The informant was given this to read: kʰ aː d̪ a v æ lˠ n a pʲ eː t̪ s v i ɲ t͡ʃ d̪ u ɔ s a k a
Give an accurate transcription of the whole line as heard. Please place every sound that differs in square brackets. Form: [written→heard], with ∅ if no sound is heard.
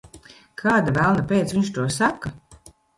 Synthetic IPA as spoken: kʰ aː d̪ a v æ lˠ n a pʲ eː t̪ s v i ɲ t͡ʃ [d̪→t̪] u ɔ s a k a